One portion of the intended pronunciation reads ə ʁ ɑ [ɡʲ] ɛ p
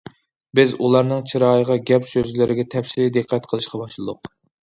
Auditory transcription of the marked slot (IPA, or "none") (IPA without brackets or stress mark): ɡʲ